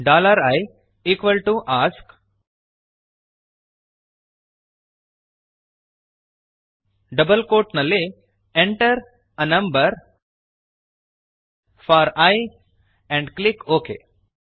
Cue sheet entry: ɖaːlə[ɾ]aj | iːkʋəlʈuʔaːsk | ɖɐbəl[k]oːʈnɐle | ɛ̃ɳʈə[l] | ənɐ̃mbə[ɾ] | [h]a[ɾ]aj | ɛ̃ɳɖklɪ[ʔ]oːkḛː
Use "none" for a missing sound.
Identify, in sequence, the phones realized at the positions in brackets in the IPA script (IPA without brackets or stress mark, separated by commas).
ɾ, k, ɾ, ɾ, f, ɾ, k